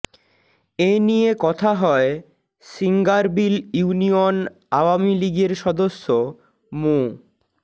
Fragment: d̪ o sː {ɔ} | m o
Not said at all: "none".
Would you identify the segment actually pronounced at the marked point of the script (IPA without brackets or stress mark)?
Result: o